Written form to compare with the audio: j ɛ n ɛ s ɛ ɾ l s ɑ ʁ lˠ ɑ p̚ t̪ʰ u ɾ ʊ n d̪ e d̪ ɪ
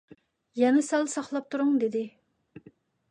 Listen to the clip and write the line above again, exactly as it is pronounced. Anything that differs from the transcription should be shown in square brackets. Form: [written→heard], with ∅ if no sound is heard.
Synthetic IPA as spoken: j ɛ n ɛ s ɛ [ɾ→∅] l s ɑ [ʁ→χ] lˠ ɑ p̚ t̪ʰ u ɾ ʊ [n→ŋ] d̪ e d̪ ɪ